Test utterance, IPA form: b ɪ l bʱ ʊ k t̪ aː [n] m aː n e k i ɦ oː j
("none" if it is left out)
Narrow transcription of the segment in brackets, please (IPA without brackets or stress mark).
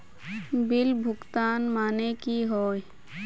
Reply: n